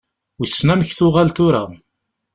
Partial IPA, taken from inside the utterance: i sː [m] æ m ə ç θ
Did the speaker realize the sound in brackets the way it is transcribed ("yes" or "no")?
no